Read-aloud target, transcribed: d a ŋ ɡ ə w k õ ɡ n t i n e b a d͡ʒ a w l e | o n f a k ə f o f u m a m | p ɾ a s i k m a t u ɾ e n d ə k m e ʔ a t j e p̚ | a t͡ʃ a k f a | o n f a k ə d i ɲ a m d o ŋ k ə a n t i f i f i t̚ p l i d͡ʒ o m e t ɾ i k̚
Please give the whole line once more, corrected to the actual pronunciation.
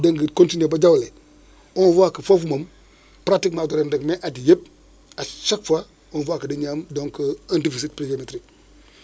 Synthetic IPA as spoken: d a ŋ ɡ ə k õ n t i n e b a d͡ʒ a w l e | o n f a k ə f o f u m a m | p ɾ a t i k m a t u ɾ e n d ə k m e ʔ a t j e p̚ | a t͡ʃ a k f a | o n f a k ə d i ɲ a m d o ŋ k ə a n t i f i s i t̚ p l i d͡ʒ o m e t ɾ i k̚

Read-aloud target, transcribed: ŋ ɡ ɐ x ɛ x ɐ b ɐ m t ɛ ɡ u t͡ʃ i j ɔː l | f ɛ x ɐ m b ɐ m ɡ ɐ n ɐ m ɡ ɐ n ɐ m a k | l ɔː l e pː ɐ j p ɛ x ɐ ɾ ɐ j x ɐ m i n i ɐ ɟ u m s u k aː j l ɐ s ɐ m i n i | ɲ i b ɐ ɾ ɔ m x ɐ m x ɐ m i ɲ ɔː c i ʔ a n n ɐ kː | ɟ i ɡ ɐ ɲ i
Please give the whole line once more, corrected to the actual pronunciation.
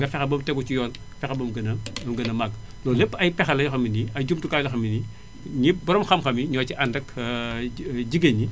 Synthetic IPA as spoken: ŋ ɡ ɐ f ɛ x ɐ b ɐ m t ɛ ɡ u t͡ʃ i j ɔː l | f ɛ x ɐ b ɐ m ɡ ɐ n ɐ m ɡ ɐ n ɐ m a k | l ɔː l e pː ɐ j p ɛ x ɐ l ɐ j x ɐ m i n i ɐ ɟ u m t u k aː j l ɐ x ɐ m i n i | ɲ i b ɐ ɾ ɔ m x ɐ m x ɐ m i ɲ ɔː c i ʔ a n d ɐ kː | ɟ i ɡ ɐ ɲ i

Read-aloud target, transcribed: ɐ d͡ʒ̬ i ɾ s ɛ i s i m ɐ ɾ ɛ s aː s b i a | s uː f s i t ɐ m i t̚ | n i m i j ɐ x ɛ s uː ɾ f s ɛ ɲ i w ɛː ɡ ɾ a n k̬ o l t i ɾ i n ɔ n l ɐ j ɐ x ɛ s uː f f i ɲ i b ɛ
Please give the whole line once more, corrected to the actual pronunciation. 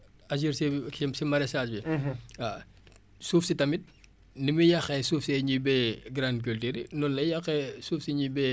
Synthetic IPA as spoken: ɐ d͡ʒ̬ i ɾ s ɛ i s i m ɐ ɾ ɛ s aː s b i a | s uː f s i t ɐ m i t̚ | n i m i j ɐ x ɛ s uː f s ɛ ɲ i b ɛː ɡ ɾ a n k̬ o l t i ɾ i n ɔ n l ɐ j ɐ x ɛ s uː f s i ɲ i b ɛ

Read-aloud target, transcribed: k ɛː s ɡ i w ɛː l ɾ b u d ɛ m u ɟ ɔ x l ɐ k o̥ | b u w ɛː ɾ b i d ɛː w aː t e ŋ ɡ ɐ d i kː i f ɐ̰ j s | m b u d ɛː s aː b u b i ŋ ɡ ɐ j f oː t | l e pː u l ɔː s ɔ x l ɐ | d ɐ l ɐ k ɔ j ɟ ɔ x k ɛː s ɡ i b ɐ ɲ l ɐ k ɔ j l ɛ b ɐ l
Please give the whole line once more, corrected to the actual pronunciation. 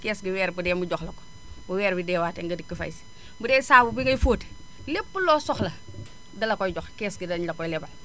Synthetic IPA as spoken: k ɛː s ɡ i w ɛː ɾ b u d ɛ m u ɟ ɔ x l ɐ k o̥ | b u w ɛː ɾ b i d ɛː w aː t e ŋ ɡ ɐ d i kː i f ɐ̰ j s | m b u d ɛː s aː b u b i ŋ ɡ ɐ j f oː t | l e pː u l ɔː s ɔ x l ɐ | d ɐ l ɐ k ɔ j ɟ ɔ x k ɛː s ɡ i d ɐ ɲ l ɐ k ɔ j l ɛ b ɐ l

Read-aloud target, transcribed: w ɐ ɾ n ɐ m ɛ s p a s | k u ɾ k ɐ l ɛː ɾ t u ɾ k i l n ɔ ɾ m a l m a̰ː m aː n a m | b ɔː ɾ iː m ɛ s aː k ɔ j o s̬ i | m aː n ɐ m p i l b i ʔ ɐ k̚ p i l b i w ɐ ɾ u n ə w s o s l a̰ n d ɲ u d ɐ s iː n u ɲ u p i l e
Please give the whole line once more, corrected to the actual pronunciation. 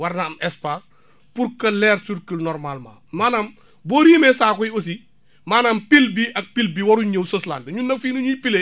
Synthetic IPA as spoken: w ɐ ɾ n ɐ m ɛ s p a s | p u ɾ k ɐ l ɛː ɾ s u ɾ k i l n ɔ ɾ m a l m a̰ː m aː n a m | b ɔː ɾ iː m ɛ s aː k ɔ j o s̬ i | m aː n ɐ m p i l b i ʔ ɐ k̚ p i l b i w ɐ ɾ u ɲ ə w s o s l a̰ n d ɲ u n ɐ f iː n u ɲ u p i l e

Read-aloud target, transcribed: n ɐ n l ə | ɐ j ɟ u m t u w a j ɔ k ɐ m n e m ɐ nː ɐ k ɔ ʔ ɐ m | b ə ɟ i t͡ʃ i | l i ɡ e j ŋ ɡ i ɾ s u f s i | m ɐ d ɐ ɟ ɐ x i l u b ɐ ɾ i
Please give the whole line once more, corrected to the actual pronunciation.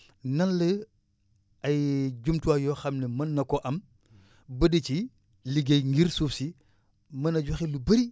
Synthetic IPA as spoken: n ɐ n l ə | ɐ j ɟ u m t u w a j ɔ x ɐ m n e m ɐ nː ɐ k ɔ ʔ ɐ m | b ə d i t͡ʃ i | l i ɡ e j ŋ ɡ i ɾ s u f s i | m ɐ n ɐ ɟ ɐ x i l u b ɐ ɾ i

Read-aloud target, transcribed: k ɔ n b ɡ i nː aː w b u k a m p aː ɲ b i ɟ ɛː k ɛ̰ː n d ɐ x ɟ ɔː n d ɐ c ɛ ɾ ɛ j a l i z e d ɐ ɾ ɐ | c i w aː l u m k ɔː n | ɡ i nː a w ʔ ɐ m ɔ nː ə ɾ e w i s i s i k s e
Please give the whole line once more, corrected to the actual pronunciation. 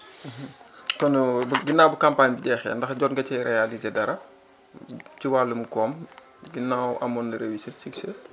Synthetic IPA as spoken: k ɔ n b ɡ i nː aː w b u k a m p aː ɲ b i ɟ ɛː x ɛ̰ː n d ɐ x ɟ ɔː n ɡ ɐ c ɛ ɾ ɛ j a l i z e d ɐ ɾ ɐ | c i w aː l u m k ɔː m | ɡ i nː a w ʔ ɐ m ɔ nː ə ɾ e w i s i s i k s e

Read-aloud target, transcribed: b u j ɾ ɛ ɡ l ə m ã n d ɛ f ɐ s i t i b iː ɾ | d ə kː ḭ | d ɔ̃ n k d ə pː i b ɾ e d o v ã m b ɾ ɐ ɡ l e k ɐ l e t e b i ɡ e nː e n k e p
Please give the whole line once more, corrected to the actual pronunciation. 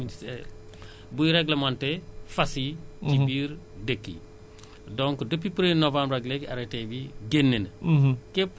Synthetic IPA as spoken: b u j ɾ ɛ ɡ l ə m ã n t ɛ f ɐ s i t i b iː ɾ | d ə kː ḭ | d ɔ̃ ŋ k d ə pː i p ɾ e n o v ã m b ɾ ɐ ɡ l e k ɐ ɾ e t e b i ɡ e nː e n k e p

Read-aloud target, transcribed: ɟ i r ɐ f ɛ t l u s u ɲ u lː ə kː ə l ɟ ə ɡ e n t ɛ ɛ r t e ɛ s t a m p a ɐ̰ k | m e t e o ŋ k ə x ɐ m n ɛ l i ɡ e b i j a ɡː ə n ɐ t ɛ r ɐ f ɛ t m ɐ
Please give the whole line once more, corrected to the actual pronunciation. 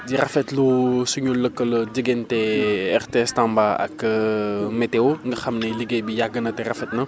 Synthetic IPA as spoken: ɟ i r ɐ f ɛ t l u s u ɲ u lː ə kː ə l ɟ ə ɡ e n t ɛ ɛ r t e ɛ s t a m b a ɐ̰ k | m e t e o ŋ ɡ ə x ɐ m n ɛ l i ɡ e b i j a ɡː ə n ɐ t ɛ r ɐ f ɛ t n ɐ

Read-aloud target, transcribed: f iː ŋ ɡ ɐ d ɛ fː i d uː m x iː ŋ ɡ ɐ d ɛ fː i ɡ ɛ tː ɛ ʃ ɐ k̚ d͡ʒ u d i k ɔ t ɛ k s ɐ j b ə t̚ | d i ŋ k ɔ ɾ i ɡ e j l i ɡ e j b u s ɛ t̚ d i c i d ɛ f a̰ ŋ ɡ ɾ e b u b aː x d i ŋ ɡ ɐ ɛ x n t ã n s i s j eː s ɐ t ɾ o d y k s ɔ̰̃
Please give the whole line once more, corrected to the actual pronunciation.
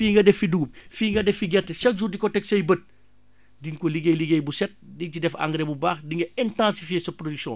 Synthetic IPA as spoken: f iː ŋ ɡ ɐ d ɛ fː i d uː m f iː ŋ ɡ ɐ d ɛ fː i ɡ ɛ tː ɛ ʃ ɐ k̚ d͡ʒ u d i k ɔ t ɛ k s ɐ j b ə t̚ | d i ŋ k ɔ l i ɡ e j l i ɡ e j b u s ɛ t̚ d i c i d ɛ f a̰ ŋ ɡ ɾ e b u b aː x d i ŋ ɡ ɐ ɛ n t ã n s i f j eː s ɐ p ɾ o d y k s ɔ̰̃

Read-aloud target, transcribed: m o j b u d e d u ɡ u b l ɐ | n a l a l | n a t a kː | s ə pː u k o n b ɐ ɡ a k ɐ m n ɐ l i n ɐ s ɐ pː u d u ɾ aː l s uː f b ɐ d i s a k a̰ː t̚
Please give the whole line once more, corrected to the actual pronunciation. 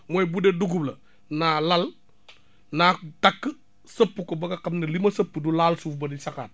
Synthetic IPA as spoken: m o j b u d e d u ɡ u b l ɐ | n a l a l | n a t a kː | s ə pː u k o b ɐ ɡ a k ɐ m n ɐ l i m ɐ s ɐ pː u d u l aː l s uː f b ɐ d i s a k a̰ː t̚

